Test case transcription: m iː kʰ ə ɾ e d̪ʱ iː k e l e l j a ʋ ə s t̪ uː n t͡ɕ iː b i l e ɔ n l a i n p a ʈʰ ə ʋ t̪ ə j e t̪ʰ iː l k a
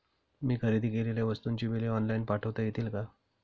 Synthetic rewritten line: m iː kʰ ə ɾ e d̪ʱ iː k e l e l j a ʋ ə s t̪ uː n t͡ɕ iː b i l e ɔ n l a i n p a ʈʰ ə ʋ t̪ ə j e t̪ iː l k a